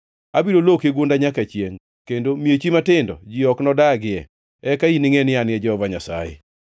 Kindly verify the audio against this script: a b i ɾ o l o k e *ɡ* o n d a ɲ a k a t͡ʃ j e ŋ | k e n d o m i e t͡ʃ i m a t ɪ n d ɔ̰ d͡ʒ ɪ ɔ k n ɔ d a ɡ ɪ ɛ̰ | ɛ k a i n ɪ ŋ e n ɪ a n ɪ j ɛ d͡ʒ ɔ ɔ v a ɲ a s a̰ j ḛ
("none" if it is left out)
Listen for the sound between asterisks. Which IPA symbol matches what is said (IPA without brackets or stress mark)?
ɡ